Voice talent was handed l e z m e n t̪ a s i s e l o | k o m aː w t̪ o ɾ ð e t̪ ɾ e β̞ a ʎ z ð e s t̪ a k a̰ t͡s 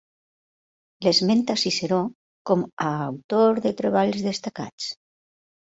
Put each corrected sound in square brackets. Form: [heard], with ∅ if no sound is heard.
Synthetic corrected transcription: l e z m e n t̪ a s i s e [ɾ] o | k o m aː w t̪ o ɾ ð e t̪ ɾ e β̞ a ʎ z ð e s t̪ a k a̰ t͡s